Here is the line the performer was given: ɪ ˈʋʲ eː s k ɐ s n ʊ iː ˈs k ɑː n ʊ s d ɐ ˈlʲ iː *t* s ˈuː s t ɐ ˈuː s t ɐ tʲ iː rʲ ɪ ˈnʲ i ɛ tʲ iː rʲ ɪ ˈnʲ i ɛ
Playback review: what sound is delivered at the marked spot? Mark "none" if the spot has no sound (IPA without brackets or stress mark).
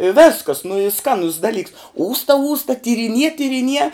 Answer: k